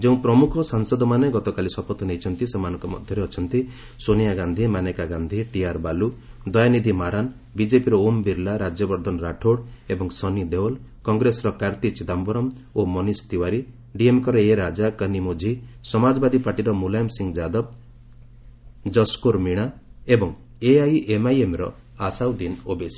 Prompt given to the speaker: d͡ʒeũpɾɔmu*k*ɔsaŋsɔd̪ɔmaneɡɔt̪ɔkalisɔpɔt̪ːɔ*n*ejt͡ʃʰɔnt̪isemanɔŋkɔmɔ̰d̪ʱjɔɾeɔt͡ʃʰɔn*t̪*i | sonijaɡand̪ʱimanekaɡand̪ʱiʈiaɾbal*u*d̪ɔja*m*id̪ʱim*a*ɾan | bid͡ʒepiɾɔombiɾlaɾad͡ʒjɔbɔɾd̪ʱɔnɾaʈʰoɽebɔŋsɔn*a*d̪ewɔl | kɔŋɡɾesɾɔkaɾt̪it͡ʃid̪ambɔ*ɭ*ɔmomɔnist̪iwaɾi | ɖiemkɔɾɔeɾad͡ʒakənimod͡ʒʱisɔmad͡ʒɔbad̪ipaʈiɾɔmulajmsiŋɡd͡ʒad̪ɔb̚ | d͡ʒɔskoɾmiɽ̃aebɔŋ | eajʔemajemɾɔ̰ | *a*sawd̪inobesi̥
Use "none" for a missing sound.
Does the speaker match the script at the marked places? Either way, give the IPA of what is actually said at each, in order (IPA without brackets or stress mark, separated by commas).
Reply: kʰ, n, t̪, u, n, a, i, ɾ, a